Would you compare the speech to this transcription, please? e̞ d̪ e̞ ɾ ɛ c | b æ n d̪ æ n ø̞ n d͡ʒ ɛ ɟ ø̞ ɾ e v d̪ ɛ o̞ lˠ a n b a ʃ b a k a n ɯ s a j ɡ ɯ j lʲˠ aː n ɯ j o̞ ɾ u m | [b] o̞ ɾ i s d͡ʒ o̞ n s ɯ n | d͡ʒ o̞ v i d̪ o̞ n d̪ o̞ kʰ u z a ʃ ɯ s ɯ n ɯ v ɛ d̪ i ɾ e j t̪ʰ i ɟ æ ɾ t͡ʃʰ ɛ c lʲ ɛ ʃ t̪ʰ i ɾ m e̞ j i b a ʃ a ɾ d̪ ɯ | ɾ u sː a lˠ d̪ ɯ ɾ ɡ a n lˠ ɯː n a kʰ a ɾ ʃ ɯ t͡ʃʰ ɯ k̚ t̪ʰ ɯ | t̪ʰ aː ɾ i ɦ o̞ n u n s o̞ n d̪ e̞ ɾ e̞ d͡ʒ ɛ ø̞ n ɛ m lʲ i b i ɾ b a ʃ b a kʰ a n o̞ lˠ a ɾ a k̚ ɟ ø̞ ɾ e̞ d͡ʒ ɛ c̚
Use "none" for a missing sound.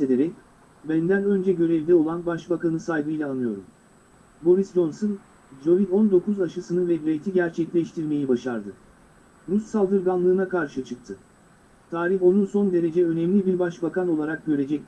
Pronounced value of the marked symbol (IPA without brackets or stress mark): b